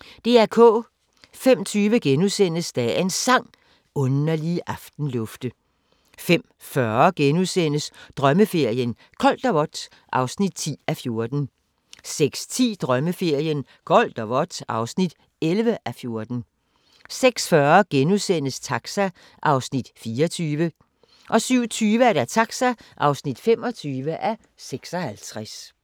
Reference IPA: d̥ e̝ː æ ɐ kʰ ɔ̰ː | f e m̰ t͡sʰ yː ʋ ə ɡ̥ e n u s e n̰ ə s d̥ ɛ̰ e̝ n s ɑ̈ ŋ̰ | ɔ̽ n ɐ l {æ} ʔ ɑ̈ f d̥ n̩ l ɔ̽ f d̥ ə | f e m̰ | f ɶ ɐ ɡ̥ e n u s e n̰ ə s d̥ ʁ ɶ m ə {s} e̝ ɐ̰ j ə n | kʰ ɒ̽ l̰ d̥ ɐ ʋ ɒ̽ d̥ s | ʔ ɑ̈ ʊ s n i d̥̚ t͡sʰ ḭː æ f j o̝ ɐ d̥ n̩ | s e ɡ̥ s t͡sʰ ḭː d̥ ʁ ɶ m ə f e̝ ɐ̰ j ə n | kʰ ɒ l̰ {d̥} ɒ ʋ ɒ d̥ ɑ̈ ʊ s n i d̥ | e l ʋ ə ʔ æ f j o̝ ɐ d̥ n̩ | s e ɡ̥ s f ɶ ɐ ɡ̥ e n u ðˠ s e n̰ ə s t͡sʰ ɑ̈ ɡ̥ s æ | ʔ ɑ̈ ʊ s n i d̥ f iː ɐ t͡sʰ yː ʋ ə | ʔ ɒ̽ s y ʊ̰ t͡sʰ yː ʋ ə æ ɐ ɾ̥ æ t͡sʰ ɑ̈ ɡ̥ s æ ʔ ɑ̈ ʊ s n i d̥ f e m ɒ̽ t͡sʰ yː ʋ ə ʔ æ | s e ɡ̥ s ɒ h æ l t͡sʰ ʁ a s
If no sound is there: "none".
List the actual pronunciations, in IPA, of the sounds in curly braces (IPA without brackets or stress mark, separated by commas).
i, f, d̥